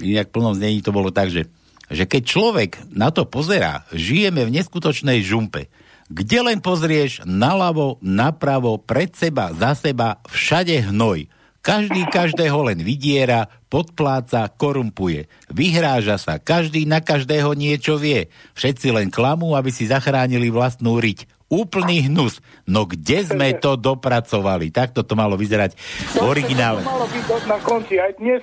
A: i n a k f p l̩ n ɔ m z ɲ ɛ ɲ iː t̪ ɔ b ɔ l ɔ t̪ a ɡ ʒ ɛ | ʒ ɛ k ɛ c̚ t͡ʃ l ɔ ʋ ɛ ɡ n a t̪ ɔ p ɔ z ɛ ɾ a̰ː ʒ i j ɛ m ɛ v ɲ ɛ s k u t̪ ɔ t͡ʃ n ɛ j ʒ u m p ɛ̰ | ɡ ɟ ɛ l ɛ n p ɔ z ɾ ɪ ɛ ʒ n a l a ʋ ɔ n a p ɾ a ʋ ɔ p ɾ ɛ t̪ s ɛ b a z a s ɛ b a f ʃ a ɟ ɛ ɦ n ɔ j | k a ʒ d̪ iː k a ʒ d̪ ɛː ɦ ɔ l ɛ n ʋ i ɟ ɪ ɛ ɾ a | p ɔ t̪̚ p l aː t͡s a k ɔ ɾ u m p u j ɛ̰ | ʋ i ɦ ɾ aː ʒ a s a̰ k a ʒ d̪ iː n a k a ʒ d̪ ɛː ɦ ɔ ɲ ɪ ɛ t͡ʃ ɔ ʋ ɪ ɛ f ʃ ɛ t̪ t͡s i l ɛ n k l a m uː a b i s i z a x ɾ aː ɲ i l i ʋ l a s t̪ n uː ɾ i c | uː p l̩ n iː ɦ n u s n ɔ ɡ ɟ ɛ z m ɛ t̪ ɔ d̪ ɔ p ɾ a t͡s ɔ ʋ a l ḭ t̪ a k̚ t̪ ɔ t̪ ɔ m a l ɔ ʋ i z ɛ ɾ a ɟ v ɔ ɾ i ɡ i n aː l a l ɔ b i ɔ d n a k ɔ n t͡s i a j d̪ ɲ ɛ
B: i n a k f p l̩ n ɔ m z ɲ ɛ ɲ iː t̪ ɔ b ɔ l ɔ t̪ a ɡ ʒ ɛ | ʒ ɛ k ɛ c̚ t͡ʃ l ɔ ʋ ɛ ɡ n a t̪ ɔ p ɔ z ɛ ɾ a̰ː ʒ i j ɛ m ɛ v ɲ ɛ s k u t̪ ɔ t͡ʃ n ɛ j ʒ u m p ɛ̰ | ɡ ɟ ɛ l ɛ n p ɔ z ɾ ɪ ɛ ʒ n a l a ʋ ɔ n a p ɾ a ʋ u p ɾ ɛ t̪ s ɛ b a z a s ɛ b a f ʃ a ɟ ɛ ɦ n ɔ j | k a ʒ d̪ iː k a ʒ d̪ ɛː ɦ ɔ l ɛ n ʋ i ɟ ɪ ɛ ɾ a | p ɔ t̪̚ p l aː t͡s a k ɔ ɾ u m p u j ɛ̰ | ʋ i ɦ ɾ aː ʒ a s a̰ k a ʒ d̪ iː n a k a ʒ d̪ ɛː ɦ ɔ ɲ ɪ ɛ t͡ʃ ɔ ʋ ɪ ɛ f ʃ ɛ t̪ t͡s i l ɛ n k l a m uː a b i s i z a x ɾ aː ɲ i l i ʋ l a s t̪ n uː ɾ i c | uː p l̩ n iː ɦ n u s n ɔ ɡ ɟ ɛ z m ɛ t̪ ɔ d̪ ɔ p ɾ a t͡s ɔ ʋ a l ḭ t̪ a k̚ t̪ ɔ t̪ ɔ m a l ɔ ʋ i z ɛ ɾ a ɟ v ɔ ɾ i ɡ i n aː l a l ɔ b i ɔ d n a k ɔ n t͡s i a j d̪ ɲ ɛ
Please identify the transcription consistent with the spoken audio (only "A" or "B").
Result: A